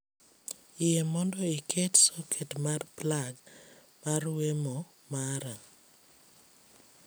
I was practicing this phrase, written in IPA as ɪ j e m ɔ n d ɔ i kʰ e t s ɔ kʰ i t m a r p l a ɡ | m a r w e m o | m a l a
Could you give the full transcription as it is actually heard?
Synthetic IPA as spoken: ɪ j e m ɔ n d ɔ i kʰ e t s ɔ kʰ e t m a r p l a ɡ | m a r w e m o | m a ɾ a